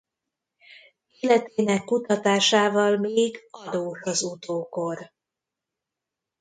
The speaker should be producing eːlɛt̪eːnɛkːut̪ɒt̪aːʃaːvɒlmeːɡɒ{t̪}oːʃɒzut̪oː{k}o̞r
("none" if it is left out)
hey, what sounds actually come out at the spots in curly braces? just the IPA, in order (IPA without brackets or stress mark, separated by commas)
d̪, k